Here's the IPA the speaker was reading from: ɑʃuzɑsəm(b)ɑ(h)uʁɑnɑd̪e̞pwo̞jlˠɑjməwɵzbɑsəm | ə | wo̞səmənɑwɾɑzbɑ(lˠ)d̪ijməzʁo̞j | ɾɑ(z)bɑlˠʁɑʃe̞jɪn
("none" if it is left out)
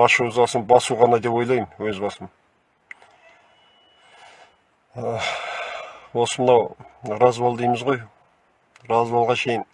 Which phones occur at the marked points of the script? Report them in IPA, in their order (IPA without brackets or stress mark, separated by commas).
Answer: b, s, lˠ, z